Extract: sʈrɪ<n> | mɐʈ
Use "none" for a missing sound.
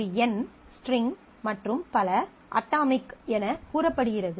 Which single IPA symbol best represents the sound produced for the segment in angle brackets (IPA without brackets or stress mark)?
ŋ